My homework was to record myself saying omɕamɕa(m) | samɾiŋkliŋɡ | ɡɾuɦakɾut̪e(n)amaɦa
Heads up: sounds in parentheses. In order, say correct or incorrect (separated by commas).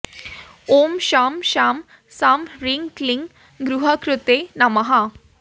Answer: correct, correct